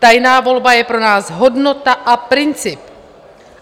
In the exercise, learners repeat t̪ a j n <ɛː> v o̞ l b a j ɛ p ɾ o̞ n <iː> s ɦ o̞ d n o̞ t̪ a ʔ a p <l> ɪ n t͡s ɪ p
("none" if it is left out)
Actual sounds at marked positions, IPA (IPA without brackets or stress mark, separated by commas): aː, aː, ɾ